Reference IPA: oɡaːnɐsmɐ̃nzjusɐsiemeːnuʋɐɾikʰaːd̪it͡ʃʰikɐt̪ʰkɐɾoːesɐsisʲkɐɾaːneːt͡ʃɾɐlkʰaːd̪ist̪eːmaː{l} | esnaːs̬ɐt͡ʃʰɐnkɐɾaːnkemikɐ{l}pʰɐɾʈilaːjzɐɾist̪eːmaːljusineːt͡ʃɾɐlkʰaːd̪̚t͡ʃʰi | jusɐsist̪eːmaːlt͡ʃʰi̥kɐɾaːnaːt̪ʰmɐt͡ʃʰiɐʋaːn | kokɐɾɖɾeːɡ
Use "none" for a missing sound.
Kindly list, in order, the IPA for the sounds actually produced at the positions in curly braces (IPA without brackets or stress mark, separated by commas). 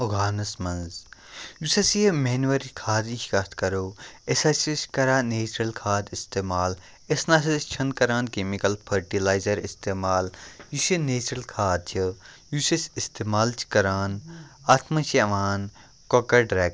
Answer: l, l